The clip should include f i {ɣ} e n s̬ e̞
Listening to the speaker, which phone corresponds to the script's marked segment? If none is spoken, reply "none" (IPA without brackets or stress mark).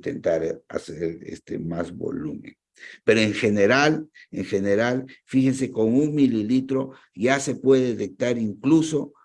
x